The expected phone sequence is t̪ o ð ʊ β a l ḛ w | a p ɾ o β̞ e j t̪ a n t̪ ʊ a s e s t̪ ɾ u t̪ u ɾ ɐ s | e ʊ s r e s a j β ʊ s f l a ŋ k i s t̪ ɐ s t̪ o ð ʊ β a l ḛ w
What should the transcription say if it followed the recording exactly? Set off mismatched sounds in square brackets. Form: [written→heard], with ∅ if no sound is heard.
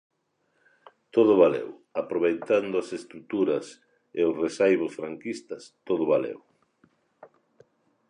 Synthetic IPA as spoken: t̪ o ð ʊ β a l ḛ w | a p ɾ o β̞ e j t̪ a n [t̪→d̪] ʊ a s e s t̪ ɾ u t̪ u ɾ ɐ s | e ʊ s r e s a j β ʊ s f [l→ɾ] a ŋ k i s t̪ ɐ s t̪ o ð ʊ β a l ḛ w